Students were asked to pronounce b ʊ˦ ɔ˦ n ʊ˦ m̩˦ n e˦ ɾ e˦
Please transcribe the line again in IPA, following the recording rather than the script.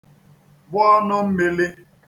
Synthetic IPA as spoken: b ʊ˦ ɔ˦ n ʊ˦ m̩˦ m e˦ l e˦